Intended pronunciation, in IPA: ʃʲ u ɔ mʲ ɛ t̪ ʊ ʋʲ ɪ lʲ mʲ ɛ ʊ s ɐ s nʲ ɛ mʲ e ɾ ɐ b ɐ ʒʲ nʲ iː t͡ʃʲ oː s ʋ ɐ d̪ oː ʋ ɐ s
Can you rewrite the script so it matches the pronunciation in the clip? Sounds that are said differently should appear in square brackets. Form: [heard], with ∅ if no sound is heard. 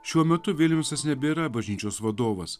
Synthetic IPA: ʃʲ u ɔ mʲ ɛ t̪ ʊ ʋʲ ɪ lʲ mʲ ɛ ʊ s ɐ s nʲ ɛ [bʲ] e ɾ ɐ b ɐ ʒʲ nʲ iː t͡ʃʲ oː s ʋ ɐ d̪ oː ʋ ɐ s